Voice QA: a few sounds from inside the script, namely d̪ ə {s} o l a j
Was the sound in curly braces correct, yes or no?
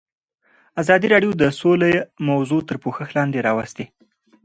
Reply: yes